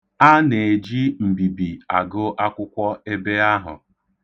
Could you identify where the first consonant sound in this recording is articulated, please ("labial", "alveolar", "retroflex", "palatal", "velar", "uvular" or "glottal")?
alveolar